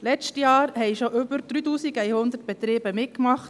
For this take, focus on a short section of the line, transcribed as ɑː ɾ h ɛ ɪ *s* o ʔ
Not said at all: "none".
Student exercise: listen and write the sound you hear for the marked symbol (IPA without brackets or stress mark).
ʃ